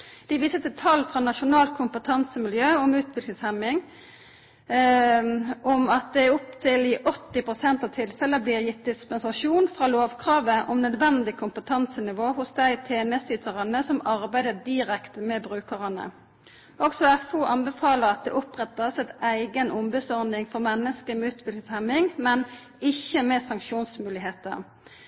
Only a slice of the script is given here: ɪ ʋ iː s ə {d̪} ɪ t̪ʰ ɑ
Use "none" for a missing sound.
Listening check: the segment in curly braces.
t̪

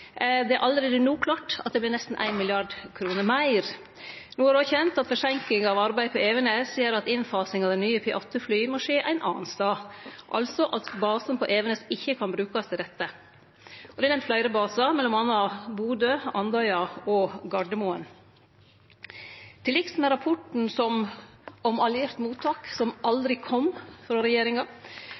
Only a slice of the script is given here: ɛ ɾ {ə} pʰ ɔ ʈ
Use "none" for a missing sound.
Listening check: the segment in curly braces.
ɑ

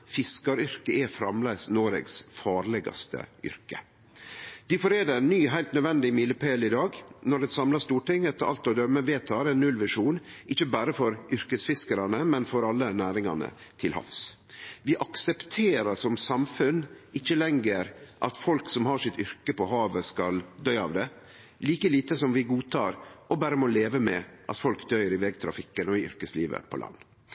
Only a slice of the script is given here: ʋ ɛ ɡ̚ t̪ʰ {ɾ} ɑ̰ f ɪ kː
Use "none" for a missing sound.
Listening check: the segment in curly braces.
ɾ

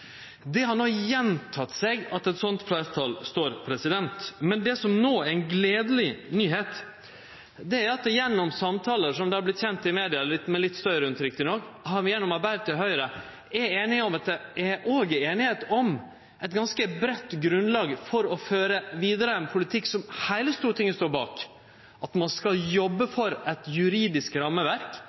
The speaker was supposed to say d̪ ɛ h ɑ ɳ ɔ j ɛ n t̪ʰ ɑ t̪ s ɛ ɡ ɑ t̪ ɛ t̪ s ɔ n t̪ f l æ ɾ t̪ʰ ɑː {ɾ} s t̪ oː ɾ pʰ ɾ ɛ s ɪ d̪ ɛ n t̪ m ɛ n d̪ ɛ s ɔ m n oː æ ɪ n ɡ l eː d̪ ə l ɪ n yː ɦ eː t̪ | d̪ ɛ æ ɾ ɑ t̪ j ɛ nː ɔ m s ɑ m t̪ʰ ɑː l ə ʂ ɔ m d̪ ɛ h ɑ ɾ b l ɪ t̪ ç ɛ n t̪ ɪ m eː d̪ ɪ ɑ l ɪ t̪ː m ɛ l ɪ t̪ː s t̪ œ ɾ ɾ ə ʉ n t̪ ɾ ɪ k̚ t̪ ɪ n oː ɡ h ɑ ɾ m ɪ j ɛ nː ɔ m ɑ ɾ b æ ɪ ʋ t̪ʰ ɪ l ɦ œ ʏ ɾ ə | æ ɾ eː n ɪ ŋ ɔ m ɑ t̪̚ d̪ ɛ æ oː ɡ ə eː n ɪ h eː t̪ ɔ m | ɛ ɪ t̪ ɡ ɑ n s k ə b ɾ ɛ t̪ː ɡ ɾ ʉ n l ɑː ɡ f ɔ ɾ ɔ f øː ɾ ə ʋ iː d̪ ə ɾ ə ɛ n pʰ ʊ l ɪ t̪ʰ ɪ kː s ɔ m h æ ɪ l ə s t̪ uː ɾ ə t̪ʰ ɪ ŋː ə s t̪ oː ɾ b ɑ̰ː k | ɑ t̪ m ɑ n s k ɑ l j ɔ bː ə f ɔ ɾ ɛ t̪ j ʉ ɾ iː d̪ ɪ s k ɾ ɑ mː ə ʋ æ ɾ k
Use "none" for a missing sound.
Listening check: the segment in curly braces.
l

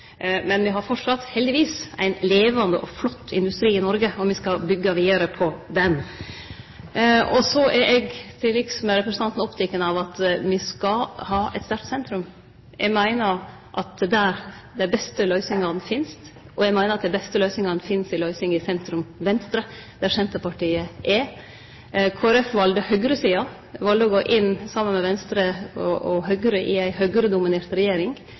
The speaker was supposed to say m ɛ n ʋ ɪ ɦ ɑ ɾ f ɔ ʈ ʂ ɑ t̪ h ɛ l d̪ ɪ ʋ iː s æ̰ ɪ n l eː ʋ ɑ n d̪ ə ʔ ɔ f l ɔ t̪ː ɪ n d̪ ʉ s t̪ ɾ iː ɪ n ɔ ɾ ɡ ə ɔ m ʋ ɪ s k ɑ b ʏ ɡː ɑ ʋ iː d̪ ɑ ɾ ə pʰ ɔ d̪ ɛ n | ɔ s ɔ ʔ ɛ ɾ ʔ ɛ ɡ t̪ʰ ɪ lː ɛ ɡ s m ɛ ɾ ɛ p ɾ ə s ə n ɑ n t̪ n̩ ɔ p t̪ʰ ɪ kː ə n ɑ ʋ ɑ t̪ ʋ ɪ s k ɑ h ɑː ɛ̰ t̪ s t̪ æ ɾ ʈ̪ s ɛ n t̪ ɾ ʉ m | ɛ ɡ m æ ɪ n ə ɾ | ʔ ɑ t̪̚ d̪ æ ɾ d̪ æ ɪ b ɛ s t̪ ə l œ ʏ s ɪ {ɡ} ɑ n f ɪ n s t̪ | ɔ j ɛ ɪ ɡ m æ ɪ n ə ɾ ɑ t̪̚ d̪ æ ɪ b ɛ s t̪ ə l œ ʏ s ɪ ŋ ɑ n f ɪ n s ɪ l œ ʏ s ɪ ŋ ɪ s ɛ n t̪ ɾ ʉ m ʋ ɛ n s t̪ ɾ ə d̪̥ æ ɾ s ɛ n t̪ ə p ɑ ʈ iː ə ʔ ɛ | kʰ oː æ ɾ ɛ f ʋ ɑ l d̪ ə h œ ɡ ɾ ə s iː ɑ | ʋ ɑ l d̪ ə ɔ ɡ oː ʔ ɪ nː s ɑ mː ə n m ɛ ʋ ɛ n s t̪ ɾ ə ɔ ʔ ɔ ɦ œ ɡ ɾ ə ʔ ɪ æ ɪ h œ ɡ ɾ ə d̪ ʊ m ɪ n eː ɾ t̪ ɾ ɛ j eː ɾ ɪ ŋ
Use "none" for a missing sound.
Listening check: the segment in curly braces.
ŋ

